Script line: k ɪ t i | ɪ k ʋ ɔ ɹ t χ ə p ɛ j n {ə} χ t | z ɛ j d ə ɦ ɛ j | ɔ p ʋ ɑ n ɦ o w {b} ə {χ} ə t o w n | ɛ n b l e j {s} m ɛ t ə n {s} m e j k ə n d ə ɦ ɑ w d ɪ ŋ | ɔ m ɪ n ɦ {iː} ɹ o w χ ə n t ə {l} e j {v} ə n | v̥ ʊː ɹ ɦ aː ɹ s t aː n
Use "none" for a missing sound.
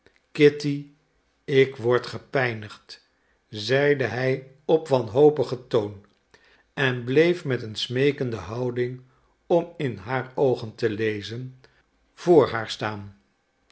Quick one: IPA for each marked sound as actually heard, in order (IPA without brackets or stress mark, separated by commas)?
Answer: ə, p, χ, f, s, aː, l, z